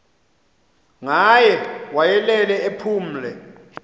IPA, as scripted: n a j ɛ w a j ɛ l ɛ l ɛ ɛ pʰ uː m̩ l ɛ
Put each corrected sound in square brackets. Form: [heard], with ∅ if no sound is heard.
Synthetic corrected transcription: [ŋ] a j ɛ w a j ɛ l ɛ l ɛ [e] pʰ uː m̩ l ɛ